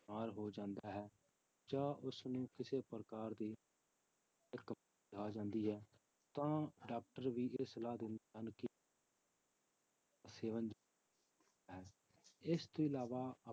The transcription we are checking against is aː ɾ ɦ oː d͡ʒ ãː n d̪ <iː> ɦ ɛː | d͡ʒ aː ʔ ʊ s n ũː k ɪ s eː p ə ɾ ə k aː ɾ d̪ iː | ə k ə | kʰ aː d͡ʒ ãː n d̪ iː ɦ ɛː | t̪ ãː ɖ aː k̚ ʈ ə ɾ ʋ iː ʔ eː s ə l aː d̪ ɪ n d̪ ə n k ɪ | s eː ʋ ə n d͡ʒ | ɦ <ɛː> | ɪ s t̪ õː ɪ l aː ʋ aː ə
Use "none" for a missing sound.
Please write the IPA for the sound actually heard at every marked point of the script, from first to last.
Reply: aː, ɛː

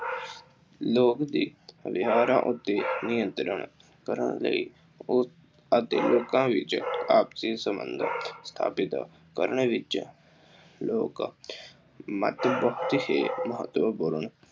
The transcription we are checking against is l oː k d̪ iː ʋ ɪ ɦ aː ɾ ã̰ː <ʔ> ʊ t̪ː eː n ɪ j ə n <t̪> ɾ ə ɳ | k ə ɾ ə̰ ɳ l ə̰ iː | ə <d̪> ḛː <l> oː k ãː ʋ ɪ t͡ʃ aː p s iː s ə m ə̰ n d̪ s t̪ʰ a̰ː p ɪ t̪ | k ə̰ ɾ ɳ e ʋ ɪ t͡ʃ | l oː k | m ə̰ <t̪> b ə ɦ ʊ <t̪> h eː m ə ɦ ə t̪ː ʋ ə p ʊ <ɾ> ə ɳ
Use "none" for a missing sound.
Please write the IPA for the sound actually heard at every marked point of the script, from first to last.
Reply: ʔ, t̪, t̪, l, t̪, t̪, ɾ

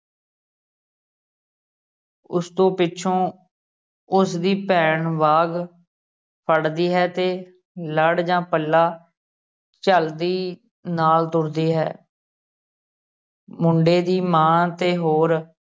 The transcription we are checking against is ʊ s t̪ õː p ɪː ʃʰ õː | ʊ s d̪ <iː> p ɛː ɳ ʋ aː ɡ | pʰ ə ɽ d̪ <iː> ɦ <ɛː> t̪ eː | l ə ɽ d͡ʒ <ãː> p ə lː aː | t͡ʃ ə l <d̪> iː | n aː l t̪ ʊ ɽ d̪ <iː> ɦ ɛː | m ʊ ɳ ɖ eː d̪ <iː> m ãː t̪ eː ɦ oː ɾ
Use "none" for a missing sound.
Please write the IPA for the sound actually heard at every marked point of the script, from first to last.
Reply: iː, iː, ɛː, ãː, d̪, iː, iː

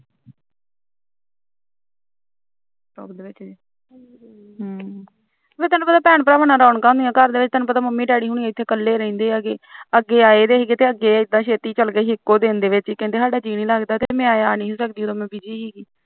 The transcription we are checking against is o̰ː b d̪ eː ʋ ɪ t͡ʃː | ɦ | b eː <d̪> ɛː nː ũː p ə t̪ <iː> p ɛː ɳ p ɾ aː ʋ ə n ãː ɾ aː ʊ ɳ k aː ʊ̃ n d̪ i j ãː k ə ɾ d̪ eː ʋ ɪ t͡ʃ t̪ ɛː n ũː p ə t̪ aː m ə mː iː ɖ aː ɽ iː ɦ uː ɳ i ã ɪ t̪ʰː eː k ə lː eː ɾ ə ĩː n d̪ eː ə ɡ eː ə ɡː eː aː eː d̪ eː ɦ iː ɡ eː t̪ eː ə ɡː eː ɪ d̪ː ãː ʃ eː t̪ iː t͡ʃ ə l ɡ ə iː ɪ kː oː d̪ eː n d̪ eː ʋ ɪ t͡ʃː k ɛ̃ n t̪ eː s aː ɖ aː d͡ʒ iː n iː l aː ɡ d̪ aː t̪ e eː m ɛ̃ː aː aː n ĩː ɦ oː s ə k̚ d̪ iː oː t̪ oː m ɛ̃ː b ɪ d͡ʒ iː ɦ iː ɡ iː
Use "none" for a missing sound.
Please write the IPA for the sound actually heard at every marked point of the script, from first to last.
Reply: t̪, aː

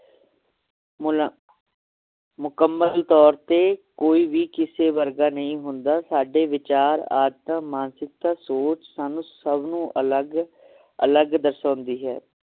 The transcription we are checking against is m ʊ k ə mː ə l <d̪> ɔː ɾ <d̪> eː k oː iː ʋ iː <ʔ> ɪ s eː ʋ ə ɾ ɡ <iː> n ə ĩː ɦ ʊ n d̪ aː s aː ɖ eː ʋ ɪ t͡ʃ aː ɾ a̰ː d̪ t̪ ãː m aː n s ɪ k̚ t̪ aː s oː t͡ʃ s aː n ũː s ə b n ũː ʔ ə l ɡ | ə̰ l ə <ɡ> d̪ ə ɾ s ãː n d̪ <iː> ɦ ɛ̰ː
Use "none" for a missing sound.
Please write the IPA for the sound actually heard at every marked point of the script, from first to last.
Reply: t̪, t̪, k, aː, ɡ, iː

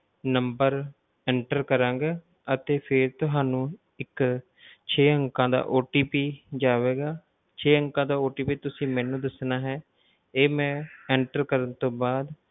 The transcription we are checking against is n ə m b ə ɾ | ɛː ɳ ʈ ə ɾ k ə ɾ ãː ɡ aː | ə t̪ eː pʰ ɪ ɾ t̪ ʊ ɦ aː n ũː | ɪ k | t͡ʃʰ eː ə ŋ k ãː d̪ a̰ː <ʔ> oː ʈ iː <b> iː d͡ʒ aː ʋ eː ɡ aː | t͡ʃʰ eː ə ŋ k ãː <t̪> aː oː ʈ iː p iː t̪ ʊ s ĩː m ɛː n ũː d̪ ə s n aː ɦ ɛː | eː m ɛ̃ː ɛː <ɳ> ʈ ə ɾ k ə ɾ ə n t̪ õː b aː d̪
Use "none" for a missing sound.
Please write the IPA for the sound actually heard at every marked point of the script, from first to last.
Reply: ʔ, p, d̪, ɳ

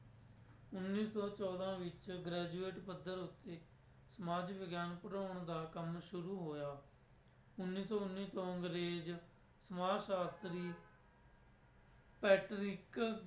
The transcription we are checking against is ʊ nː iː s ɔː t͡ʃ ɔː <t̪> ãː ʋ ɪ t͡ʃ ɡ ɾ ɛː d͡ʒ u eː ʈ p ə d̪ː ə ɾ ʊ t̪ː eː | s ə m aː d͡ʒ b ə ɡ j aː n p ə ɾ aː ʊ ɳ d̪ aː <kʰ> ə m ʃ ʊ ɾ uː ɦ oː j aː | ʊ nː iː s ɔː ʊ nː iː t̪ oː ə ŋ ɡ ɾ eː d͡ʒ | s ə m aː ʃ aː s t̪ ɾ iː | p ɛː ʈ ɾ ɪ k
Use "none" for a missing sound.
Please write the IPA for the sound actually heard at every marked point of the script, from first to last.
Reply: d̪, k

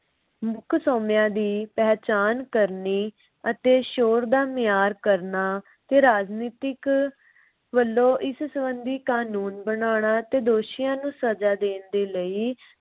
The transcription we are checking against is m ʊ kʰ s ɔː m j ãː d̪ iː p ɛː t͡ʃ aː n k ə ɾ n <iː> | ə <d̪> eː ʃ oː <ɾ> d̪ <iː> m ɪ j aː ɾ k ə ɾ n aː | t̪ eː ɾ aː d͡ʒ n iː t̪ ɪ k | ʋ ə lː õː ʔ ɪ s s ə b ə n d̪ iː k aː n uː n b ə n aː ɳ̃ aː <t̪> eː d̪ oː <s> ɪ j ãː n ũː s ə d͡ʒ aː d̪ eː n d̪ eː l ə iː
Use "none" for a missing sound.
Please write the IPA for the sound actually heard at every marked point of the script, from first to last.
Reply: iː, t̪, ɾ, aː, t̪, ʃ

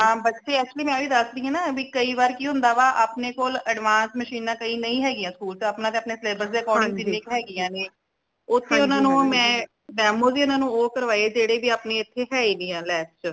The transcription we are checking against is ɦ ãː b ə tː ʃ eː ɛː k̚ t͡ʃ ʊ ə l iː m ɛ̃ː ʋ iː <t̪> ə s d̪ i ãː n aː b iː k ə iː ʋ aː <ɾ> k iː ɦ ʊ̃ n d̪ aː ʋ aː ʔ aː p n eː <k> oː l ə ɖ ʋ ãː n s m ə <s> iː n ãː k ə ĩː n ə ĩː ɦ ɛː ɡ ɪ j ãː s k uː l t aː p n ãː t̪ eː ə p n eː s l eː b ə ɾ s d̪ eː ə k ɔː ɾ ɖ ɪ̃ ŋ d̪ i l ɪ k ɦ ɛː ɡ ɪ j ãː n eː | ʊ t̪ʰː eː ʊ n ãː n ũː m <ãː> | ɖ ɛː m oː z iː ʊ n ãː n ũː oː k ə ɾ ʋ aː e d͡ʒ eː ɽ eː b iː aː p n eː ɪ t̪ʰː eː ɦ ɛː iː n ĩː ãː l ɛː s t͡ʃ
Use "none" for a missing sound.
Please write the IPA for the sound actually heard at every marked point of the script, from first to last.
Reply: d̪, ɾ, k, ʃ, ɛ̃ː

